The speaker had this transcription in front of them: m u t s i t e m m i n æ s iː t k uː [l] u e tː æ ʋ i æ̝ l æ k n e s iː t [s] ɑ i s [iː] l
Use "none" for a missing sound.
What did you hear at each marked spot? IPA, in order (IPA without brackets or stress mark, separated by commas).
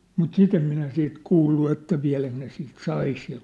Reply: lː, s, i